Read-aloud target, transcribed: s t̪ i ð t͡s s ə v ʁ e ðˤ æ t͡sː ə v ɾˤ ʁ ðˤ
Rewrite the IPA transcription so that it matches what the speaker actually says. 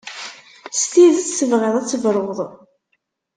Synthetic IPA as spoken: s t̪ i ð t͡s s ə v ʁ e ðˤ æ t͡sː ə v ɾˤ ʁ ðˤ